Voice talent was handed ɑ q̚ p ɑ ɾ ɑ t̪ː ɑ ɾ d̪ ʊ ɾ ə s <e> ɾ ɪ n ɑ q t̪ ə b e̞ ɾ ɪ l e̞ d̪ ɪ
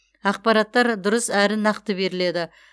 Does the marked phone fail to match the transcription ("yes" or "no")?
yes